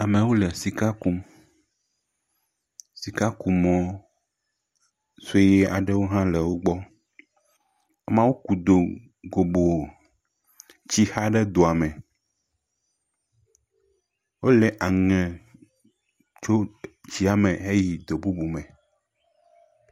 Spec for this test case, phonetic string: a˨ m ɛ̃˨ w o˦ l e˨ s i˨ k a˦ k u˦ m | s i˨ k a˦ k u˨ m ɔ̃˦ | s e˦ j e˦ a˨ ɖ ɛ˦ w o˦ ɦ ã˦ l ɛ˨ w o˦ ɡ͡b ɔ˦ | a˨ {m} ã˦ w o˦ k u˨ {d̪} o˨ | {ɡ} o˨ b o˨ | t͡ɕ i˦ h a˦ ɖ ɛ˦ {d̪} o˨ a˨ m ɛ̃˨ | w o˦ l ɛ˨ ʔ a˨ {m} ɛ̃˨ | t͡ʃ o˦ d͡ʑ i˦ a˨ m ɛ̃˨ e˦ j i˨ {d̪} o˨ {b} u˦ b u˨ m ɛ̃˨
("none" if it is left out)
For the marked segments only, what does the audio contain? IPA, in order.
m, d̪, ɡ, d̪, ŋ, d̪, b

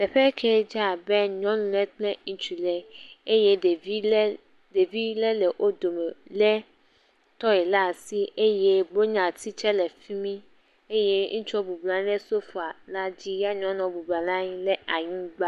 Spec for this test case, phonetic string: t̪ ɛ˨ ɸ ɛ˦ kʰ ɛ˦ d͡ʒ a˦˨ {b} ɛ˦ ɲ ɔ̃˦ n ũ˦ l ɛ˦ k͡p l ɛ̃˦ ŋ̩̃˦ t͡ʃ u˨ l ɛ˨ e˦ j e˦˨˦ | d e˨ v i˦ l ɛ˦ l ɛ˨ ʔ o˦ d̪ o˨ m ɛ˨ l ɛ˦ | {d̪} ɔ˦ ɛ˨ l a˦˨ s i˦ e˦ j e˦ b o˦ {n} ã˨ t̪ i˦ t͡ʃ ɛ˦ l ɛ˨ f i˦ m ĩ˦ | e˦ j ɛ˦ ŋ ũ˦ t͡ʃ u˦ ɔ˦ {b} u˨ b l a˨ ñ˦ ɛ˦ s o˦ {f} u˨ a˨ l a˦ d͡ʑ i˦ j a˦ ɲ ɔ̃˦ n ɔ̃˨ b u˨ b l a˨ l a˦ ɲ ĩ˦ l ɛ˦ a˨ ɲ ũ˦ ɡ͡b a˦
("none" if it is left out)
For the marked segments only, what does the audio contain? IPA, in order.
b, t̪, ɲ, b, f

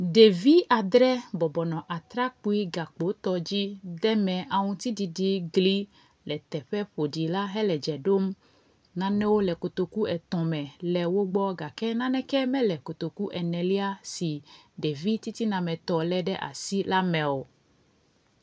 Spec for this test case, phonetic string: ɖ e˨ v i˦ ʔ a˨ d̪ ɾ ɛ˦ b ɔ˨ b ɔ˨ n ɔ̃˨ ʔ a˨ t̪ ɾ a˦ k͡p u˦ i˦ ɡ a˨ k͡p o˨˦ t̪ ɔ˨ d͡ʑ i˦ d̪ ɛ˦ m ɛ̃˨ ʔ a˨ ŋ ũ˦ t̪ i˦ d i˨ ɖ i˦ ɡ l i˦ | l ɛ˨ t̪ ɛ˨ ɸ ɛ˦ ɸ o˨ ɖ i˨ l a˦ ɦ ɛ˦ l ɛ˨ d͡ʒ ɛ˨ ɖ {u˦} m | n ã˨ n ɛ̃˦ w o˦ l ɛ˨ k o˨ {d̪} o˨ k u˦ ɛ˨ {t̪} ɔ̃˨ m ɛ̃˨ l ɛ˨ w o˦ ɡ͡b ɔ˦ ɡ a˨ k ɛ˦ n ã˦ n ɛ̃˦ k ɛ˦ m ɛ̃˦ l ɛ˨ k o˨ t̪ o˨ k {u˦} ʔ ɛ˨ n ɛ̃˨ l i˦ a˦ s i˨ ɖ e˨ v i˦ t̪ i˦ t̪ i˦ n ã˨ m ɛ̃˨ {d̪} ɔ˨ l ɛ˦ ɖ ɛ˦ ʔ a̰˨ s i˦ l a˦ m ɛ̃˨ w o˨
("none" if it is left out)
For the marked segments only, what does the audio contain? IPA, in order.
o˦, t̪, t̪, u˦, t̪

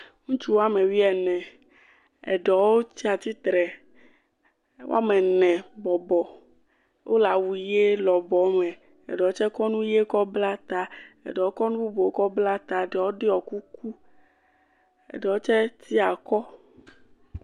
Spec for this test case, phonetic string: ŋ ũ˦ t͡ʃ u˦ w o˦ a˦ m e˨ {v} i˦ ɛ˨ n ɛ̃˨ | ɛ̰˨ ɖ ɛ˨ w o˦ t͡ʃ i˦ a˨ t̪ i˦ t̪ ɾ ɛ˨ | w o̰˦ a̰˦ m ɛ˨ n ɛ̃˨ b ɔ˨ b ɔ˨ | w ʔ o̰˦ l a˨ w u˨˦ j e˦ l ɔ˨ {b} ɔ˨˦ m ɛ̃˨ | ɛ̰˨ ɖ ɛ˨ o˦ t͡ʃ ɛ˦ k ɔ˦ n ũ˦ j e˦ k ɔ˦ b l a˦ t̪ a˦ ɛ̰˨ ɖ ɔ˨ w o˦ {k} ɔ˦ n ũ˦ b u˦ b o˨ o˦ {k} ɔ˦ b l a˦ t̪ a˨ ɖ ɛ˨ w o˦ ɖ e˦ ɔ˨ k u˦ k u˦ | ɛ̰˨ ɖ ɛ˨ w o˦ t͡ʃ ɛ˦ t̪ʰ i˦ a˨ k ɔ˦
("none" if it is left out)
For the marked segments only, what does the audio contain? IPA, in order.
w, b, k, k

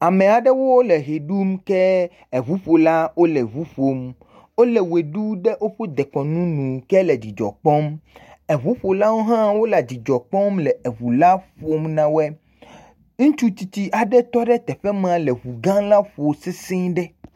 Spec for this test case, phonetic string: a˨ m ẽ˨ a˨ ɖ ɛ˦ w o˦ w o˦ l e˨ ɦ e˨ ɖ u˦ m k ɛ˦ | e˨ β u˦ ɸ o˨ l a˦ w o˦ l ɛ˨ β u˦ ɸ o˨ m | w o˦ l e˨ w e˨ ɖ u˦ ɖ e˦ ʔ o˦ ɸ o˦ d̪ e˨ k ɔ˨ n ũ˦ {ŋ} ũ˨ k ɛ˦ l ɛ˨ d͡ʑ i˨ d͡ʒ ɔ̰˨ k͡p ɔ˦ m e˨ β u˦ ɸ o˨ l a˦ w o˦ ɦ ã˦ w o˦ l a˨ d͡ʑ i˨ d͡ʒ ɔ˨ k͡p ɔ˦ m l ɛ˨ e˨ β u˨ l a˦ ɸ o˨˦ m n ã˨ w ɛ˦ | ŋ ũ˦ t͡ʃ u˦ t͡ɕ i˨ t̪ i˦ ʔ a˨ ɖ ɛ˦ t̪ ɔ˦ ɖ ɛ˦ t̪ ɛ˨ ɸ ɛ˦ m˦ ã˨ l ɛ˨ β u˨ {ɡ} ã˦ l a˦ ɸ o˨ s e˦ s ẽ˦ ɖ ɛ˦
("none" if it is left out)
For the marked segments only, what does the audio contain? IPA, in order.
n, ɡ

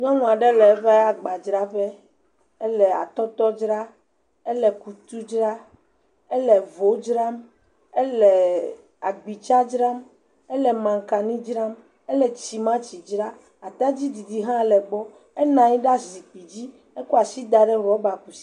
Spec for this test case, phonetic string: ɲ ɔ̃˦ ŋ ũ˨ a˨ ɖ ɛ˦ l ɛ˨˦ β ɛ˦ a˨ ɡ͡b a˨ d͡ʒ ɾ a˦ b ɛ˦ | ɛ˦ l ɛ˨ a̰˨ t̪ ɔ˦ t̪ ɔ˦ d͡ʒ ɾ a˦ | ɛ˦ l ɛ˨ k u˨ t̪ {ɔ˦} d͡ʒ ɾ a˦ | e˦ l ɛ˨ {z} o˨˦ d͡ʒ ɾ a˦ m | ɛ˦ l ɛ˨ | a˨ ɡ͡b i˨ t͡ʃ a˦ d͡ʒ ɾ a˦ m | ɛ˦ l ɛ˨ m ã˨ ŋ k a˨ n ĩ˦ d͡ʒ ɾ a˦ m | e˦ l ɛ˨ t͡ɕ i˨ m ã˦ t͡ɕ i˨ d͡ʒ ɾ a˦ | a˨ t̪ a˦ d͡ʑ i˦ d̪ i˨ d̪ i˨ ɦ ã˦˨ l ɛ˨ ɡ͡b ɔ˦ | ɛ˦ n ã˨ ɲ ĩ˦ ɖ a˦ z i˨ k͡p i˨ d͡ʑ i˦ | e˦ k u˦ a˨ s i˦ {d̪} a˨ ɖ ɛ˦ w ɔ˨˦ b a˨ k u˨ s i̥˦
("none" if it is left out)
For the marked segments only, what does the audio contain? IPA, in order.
u˦, v, d̪

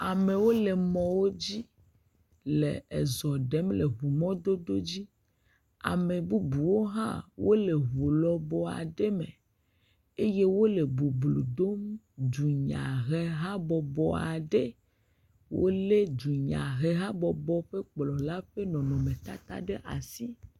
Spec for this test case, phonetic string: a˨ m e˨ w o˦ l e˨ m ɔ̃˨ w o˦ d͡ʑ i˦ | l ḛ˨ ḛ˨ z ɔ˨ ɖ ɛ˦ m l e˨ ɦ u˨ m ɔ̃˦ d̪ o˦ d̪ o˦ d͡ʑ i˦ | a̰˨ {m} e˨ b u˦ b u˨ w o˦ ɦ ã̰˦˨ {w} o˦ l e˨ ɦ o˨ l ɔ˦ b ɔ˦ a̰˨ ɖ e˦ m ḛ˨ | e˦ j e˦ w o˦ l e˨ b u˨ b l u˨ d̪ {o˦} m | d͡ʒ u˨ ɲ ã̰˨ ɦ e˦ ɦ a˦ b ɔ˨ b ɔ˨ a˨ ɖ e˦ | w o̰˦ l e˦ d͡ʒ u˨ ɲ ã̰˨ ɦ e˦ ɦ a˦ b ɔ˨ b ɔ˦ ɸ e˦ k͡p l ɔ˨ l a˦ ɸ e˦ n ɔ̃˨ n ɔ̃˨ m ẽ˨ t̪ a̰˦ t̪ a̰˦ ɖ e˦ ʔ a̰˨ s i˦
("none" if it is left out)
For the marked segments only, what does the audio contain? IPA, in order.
m, w, o˦

